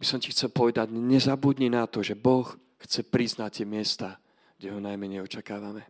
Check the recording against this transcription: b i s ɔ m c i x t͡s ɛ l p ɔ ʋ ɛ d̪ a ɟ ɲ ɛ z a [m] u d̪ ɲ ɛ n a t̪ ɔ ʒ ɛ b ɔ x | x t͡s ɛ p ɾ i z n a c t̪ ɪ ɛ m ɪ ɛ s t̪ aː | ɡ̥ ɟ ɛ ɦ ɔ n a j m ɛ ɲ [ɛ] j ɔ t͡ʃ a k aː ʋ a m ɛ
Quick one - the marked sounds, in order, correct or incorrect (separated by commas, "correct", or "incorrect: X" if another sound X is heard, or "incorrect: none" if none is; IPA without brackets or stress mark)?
incorrect: b, correct